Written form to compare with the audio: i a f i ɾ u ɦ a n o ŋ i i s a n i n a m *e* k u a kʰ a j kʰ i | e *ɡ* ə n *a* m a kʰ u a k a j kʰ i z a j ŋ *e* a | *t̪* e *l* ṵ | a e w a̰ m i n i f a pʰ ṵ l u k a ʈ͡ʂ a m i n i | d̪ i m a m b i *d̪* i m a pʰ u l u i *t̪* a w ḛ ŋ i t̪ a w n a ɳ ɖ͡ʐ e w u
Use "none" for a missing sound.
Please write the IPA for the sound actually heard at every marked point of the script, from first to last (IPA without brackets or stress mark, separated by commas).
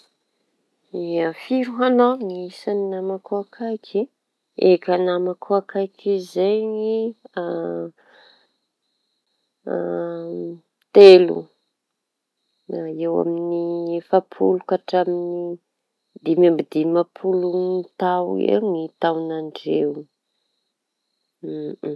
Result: a, k, a, i, t̪, l, d̪, t̪